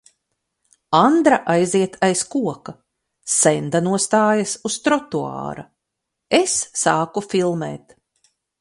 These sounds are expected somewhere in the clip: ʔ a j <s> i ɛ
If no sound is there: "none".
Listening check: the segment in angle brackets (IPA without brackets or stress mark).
z